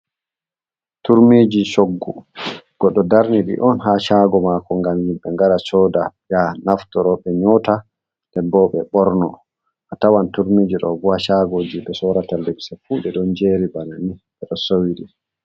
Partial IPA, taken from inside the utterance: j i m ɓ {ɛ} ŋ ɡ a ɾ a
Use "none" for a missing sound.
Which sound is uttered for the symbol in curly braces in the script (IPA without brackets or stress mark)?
ɛ